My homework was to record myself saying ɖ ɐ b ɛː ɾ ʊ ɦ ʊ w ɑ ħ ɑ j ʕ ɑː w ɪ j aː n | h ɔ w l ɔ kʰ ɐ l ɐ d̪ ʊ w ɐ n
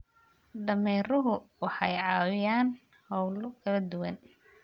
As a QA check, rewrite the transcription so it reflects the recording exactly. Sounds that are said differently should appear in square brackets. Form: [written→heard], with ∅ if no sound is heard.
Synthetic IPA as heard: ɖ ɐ [b→m] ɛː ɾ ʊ ɦ ʊ w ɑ ħ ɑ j ʕ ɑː w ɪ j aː n | h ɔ w l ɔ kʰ ɐ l ɐ d̪ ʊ w ɐ n